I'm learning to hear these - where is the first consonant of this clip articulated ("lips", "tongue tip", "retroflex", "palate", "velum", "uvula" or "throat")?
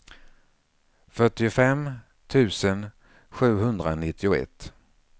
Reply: lips